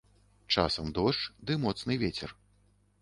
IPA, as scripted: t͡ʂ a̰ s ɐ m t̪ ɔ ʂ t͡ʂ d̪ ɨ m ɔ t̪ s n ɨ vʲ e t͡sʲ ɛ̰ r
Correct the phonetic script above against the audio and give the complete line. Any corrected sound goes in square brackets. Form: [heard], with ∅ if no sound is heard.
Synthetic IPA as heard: t͡ʂ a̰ s ɐ m [d̪] ɔ ʂ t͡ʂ d̪ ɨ m ɔ t̪ s n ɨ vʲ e t͡sʲ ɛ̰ r